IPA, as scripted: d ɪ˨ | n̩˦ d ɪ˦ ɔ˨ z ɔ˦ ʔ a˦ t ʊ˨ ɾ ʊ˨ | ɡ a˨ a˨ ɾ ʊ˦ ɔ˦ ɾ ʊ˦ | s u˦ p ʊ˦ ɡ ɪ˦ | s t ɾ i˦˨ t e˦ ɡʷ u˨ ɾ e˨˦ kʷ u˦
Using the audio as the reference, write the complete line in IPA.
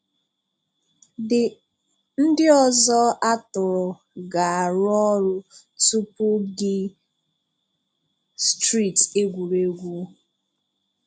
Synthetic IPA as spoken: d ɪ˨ | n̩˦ d ɪ˦ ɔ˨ z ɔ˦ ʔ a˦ t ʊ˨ ɾ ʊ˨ | ɡ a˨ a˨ ɾ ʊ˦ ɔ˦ ɾ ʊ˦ | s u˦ p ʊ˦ ɡ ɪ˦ | s t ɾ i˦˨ t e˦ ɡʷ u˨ ɾ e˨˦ ɡʷ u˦